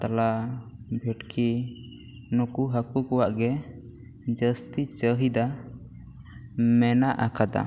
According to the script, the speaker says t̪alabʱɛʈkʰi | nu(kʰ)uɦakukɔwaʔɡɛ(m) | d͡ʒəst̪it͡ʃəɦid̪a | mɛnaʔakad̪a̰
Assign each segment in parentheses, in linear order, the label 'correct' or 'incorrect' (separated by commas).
incorrect, incorrect